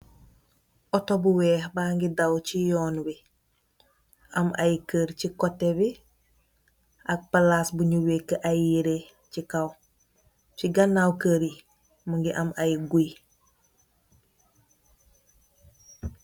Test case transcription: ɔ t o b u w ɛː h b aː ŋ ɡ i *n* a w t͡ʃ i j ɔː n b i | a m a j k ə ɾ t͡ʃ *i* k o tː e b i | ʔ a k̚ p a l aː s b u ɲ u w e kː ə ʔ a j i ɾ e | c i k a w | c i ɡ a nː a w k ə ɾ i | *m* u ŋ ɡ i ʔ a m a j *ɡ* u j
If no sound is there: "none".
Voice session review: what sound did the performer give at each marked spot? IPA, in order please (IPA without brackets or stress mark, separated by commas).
d, i, m, ɡ